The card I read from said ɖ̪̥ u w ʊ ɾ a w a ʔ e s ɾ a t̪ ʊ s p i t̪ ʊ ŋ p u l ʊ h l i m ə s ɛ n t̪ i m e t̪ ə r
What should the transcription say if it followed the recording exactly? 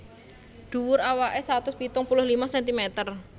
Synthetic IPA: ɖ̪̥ u w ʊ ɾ a w a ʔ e s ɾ a t̪ ʊ s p i t̪ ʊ ŋ p u l ʊ h l i m a s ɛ n t̪ i m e t̪ ə r